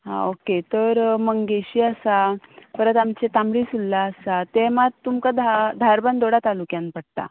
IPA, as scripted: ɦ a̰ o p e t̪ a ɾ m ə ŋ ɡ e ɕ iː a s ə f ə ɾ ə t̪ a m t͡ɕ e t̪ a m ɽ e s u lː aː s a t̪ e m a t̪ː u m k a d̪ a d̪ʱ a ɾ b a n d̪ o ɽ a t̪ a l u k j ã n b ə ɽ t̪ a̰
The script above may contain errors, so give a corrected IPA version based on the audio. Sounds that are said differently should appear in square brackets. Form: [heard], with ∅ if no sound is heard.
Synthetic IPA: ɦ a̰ o [k] e t̪ [ə] ɾ m ə ŋ ɡ e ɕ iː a s [a] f ə ɾ ə t̪ a m t͡ɕ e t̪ a m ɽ [i] s u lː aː s a t̪ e m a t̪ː u m k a d̪ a d̪ʱ a ɾ b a n d̪ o ɽ a t̪ a l u k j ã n [p] ə ɽ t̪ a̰